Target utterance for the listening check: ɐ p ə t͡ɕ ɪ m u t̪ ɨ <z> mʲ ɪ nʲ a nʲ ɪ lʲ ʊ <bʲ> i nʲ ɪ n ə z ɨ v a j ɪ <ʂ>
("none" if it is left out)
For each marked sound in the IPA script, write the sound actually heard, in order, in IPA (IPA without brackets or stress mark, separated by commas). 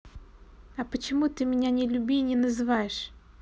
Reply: none, bʲ, ʂ